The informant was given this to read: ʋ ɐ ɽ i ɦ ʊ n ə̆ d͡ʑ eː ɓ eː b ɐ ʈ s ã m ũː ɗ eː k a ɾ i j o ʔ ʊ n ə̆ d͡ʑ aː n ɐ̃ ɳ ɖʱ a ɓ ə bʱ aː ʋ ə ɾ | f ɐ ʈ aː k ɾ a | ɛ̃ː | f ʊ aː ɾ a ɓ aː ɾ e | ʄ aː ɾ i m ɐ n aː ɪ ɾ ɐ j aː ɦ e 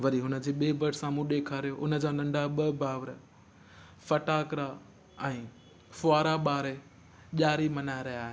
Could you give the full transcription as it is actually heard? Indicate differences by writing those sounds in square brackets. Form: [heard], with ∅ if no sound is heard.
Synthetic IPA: ʋ ɐ [ɾ] i ɦ ʊ n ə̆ d͡ʑ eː ɓ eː b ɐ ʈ s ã m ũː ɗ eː [kʰ] a ɾ i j o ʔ ʊ n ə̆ d͡ʑ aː n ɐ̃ ɳ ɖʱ a ɓ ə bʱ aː ʋ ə ɾ | f ɐ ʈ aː k ɾ a | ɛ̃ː | f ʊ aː ɾ a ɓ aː ɾ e | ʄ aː ɾ i m ɐ n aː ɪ ɾ ɐ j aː ɦ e